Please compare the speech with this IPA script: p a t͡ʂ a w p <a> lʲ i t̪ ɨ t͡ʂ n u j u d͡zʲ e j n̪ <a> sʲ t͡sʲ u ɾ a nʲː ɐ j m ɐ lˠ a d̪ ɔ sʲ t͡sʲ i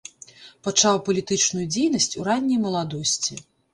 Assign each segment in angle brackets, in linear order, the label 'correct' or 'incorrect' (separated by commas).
incorrect, incorrect